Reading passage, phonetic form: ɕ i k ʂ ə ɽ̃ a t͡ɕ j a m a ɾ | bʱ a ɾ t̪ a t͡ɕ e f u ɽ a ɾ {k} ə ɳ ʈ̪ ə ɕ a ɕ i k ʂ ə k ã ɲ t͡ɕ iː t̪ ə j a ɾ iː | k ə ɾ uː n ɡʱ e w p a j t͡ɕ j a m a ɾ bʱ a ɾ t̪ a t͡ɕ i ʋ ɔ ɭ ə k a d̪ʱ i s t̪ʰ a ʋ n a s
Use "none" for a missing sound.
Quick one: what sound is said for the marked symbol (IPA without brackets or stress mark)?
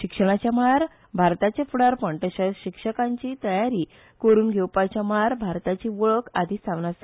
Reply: p